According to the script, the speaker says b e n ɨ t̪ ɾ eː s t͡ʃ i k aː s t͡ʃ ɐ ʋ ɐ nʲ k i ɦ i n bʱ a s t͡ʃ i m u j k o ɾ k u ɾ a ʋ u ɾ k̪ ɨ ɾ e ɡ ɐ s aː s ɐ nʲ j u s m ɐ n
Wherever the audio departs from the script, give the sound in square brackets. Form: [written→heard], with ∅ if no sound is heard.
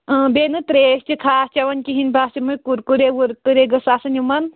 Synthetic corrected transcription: b e n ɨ t̪ ɾ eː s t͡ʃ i [k→kʰ] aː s t͡ʃ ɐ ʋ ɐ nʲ k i ɦ i n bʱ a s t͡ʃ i m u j k [o→u] ɾ k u ɾ [a→e] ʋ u ɾ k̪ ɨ ɾ e ɡ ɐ s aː s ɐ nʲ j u [s→∅] m ɐ n